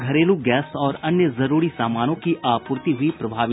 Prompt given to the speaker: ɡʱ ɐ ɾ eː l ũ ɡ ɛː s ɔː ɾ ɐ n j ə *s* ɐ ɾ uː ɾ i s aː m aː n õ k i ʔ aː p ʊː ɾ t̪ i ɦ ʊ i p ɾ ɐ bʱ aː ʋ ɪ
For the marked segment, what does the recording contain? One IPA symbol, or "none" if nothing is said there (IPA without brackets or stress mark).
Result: z